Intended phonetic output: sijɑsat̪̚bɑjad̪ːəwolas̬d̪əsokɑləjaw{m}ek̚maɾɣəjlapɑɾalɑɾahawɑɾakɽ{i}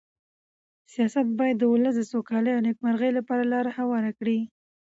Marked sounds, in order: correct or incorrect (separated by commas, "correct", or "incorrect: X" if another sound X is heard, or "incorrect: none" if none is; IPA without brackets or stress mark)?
incorrect: n, correct